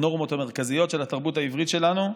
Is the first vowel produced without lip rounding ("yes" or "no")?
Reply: no